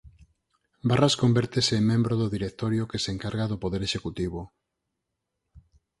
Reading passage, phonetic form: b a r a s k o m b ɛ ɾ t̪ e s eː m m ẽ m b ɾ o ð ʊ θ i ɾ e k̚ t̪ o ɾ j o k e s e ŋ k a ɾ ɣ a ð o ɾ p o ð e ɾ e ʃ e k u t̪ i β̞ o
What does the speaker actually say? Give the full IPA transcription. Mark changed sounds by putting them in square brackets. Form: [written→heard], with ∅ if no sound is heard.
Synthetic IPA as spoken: b a r a s k o m b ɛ ɾ t̪ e s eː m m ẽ m b ɾ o ð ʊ [θ→ð] i ɾ e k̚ t̪ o ɾ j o k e s e ŋ k a ɾ ɣ a ð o [ɾ→∅] p o ð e ɾ e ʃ e k u t̪ i β̞ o